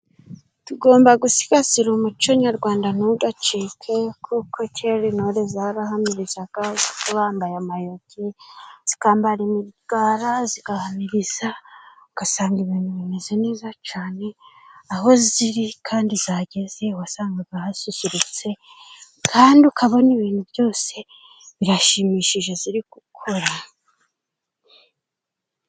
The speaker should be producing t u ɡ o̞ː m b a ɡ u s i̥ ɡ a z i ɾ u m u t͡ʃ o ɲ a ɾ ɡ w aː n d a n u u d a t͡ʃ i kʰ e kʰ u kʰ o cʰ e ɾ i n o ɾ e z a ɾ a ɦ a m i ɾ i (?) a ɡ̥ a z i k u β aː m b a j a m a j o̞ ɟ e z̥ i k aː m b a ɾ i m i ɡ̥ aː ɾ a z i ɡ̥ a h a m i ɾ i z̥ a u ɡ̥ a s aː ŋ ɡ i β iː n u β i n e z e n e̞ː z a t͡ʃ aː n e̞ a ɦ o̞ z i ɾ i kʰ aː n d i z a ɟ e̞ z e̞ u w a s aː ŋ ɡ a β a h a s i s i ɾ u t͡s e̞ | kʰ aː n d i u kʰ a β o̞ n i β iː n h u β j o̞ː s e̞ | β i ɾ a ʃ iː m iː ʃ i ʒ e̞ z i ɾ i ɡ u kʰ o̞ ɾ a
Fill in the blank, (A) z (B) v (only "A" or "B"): A